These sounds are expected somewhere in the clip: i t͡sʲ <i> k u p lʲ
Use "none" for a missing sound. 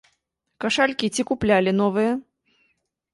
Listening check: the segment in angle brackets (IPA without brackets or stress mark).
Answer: i